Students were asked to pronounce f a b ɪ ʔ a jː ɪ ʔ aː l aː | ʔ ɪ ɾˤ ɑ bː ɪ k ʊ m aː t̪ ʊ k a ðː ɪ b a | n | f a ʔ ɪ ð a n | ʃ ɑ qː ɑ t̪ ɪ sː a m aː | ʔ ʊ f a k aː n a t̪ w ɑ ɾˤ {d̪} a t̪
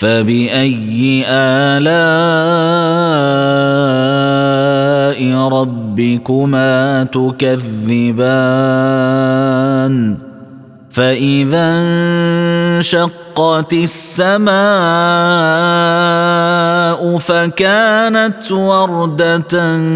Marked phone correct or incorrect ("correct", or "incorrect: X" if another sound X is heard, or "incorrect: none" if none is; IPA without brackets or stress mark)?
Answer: correct